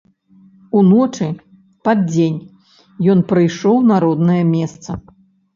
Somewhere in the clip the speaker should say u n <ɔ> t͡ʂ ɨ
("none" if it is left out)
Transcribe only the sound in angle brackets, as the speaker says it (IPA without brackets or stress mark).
ɔ